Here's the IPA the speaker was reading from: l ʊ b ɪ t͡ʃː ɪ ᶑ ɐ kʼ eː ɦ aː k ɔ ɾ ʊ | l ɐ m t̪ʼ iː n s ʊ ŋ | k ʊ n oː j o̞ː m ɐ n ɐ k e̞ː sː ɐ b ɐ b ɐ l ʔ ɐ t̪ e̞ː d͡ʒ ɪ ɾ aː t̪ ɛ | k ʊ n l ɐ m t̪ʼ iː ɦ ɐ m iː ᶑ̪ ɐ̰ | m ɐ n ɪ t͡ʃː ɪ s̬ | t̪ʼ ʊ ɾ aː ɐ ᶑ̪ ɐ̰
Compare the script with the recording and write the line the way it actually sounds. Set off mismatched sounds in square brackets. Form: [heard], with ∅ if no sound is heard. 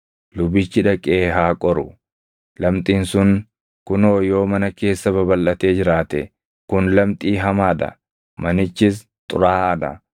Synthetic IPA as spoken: l ʊ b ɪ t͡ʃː ɪ ᶑ ɐ kʼ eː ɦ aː [kʼ] ɔ ɾ ʊ | l ɐ m t̪ʼ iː n s ʊ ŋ | k ʊ n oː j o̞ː m ɐ n ɐ k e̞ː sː ɐ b ɐ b ɐ l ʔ ɐ t̪ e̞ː d͡ʒ ɪ ɾ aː t̪ ɛ | k ʊ n l ɐ m t̪ʼ iː ɦ ɐ m [aː] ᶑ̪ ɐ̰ | m ɐ n ɪ t͡ʃː ɪ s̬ | t̪ʼ ʊ ɾ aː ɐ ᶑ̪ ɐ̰